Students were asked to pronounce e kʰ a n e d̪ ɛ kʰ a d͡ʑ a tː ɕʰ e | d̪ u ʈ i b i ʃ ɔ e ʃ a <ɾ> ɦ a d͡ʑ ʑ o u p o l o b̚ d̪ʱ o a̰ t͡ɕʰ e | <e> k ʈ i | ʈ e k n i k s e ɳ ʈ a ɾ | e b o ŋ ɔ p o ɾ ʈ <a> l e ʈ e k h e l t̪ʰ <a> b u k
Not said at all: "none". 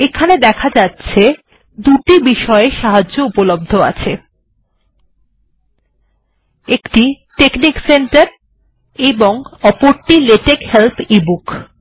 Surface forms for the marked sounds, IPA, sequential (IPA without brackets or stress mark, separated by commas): none, e, i, i